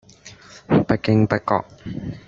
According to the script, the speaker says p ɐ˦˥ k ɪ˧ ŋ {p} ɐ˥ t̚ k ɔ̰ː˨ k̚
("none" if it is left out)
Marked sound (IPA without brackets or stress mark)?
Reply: p